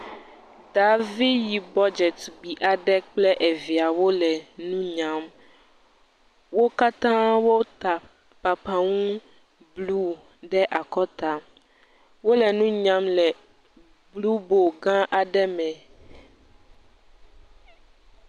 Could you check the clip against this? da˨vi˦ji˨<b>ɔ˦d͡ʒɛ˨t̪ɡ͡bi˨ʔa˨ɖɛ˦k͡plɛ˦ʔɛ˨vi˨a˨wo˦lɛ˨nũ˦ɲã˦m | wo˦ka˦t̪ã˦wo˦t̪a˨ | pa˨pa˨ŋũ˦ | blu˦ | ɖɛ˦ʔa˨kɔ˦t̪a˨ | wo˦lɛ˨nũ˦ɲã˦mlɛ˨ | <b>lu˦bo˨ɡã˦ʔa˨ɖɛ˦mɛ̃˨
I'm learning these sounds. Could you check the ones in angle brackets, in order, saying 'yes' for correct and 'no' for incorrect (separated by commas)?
yes, yes